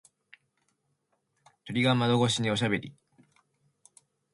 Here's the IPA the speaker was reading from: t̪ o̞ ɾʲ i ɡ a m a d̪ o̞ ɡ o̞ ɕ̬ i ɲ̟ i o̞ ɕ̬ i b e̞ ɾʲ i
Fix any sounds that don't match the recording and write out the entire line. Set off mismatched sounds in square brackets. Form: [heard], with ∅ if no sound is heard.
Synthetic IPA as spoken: t̪ o̞ ɾʲ i ɡ a m a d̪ o̞ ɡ o̞ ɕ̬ i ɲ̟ i o̞ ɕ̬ [a] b e̞ ɾʲ i